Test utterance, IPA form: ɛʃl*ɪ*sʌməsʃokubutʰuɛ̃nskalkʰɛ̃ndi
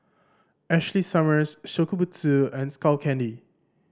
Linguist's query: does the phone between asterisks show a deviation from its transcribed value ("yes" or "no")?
yes